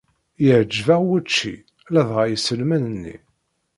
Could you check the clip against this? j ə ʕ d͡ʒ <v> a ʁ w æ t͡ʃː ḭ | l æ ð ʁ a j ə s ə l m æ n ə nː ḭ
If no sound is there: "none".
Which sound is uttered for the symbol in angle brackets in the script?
v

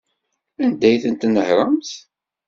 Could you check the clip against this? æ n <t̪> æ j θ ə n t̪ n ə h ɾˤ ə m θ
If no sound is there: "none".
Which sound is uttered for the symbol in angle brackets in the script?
d̪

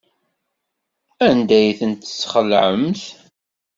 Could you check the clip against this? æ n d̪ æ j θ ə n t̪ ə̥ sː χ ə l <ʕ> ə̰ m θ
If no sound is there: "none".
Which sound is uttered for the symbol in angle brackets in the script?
ʕ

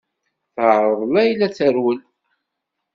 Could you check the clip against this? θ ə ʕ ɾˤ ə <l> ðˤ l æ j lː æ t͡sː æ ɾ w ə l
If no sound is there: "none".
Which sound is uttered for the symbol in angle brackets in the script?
none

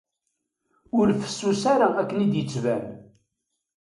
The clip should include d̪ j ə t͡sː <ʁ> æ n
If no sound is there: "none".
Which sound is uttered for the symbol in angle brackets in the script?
v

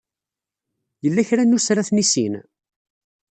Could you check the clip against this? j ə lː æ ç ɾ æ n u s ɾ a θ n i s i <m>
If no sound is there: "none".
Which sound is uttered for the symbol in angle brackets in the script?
n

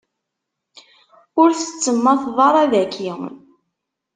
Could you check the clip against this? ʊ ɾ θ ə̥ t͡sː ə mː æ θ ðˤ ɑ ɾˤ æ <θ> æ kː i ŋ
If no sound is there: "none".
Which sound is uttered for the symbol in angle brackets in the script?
ð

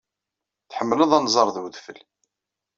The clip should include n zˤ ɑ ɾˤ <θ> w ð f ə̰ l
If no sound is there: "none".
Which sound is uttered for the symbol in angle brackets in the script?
ð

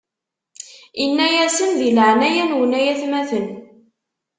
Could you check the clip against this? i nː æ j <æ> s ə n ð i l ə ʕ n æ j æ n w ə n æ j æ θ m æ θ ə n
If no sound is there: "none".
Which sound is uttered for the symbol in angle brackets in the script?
æ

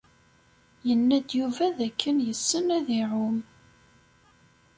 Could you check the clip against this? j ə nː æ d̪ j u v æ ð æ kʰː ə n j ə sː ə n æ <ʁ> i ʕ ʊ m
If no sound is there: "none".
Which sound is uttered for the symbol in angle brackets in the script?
ð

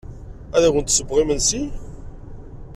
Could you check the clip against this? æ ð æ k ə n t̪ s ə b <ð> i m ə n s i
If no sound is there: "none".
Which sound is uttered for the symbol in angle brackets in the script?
ʁ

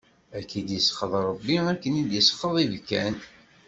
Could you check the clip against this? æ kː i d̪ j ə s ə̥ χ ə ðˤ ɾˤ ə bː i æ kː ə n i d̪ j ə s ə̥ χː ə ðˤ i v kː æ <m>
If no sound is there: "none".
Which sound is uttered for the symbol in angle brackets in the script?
n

